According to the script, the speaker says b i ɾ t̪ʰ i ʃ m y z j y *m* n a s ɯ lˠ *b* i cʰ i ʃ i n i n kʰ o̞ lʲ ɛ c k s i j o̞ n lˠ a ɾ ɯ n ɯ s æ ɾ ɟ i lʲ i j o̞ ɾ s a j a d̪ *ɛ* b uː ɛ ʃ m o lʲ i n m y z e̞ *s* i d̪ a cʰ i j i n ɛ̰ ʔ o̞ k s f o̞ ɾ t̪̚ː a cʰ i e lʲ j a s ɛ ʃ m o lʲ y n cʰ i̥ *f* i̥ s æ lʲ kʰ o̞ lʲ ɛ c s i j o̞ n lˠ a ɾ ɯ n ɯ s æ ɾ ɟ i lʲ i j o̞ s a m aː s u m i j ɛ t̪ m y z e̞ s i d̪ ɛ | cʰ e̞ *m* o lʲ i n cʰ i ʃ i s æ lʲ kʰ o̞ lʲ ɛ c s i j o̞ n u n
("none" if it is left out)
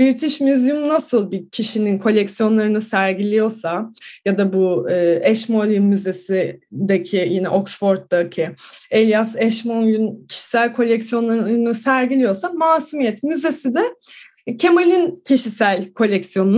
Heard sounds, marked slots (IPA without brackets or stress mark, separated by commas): m, b, a, s, ʃ, m